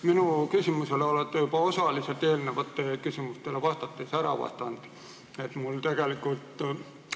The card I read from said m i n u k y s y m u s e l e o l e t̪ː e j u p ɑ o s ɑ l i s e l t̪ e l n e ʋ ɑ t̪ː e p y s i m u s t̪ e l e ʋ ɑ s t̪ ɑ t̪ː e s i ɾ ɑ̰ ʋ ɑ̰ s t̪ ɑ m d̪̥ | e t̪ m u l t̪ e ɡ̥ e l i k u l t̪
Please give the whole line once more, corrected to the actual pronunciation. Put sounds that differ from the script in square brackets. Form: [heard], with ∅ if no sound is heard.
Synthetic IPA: m i n u k y s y m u s e l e o l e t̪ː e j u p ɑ o s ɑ l i s e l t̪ e l n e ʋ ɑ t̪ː e [k] y s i m u s t̪ e l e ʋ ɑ s t̪ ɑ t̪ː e s [æ] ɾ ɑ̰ ʋ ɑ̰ s t̪ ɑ [n] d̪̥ | e t̪ m u l t̪ e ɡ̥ e l i k u l t̪